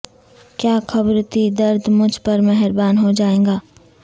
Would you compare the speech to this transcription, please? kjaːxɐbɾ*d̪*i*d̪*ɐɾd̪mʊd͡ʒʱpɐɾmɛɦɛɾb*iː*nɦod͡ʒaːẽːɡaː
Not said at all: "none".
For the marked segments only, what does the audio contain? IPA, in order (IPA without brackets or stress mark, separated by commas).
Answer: t̪, d̪, aː